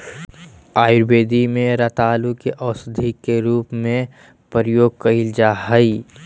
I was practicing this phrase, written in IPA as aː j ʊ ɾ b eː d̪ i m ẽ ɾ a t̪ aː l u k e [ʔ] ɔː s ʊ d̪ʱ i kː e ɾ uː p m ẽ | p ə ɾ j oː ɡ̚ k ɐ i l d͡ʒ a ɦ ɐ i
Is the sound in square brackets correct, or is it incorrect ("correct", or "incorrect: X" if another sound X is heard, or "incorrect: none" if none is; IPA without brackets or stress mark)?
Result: correct